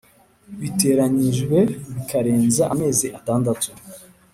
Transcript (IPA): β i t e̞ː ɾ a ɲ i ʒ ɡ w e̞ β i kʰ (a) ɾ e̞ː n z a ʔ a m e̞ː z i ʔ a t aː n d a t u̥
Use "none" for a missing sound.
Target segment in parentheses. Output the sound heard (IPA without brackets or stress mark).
a